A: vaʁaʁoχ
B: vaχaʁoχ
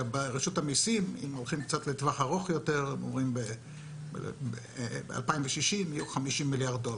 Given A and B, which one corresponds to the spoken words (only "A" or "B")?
B